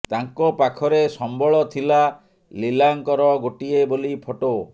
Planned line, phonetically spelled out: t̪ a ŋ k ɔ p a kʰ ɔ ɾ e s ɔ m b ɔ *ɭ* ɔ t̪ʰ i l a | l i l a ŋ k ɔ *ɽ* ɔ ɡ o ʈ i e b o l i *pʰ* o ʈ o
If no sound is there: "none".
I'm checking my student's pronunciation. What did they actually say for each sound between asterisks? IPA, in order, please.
ɭ, ɾ, pʰ

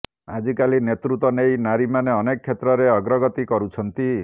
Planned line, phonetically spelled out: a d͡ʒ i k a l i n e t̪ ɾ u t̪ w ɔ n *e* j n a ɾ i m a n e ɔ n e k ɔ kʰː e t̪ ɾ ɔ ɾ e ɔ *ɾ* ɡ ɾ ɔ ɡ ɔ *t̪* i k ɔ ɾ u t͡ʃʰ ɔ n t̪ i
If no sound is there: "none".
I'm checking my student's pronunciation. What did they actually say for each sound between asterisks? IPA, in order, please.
e, none, t̪

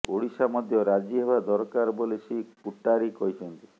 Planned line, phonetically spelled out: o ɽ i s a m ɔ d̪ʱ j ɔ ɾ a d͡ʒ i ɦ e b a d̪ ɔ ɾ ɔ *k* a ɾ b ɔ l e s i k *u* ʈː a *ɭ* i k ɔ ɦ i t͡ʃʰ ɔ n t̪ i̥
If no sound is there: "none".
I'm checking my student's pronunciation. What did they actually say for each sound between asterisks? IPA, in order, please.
k, u, ɾ

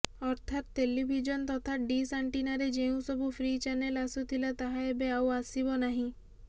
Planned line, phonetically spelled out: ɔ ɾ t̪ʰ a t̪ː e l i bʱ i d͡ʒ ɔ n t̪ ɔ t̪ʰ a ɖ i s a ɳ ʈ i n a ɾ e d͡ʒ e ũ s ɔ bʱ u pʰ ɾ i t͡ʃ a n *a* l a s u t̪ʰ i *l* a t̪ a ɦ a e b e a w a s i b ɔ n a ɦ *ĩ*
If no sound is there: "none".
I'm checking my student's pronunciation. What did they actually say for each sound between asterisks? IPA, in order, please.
e, l, ĩ

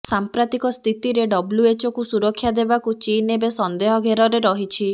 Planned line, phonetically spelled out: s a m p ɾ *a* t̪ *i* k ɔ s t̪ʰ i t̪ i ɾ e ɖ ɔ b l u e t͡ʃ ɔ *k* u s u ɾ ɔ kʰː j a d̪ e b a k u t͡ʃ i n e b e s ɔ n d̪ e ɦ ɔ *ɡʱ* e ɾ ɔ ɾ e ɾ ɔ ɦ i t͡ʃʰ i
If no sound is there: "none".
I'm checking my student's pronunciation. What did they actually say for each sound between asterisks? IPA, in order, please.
a, i, k, ɡʱ

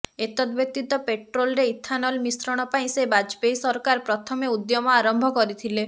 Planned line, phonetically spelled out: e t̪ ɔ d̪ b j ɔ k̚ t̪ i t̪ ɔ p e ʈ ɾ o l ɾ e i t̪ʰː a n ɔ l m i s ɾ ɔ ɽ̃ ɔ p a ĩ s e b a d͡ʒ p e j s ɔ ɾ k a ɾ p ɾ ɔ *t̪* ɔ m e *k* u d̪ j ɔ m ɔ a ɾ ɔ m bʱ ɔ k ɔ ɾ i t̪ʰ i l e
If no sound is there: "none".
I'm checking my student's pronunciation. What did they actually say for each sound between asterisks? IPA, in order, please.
t̪ʰ, none

